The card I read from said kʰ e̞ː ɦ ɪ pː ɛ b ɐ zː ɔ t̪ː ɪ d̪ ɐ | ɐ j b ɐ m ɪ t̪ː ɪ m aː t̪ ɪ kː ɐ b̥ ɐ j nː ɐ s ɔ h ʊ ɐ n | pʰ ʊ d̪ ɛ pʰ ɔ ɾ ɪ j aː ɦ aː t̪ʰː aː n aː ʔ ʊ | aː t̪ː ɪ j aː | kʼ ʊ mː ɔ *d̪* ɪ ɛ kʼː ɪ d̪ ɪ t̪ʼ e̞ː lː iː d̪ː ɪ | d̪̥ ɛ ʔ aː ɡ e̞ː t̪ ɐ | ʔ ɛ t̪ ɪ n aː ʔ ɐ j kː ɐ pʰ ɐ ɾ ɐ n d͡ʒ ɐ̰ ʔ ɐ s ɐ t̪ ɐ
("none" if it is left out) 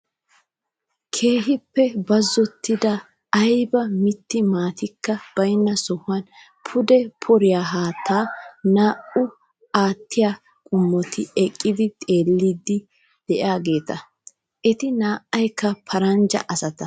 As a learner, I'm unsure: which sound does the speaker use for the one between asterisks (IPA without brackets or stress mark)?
t̪